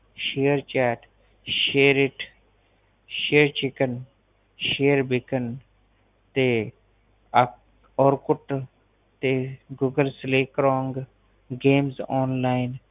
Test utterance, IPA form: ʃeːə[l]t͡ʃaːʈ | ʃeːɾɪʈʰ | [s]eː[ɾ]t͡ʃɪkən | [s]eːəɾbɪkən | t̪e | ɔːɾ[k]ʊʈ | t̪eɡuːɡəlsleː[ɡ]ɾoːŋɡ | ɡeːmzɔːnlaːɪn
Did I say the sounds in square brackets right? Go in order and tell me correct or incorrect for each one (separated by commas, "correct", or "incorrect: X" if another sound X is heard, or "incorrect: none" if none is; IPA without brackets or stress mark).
incorrect: ɾ, incorrect: ʃ, correct, incorrect: ʃ, correct, incorrect: k